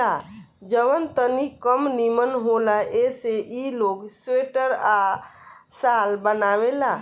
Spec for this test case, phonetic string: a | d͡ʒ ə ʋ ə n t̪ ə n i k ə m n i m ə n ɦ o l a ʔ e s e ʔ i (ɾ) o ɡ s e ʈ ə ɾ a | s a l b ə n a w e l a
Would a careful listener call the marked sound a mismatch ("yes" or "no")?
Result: yes